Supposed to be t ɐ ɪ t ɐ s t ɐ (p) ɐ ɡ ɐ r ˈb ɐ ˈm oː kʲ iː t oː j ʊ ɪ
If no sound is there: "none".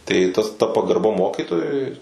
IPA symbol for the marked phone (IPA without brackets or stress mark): p